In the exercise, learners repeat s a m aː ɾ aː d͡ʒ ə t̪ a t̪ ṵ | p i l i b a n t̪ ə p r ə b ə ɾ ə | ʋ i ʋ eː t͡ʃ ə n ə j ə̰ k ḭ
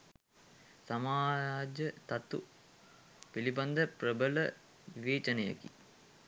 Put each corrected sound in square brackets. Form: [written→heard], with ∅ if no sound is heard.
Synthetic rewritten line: s a m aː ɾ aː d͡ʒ ə t̪ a t̪ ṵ | p i l i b a n [t̪→d̪] ə p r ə b ə [ɾ→l] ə | ʋ i ʋ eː t͡ʃ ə n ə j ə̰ k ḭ